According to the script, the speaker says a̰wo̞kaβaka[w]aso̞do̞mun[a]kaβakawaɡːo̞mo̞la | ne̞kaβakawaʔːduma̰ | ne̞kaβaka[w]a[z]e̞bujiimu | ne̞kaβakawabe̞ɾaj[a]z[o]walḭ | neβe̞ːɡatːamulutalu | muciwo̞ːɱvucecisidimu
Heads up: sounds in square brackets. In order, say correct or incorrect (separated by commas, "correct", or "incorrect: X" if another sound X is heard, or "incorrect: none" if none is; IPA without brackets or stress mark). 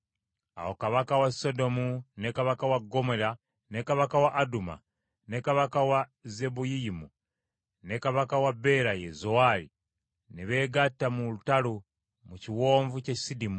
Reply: correct, incorrect: e, correct, correct, incorrect: e, correct